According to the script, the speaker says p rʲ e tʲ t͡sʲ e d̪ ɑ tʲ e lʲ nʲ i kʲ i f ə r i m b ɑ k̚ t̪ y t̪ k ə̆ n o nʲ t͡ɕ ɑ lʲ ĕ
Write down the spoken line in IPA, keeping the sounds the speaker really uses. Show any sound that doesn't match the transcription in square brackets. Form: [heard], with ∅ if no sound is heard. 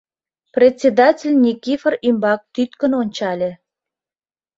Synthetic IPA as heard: p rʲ e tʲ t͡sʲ e d̪ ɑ tʲ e lʲ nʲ i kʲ i f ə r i m b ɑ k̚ t̪ y t̪ k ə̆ n o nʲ t͡ɕ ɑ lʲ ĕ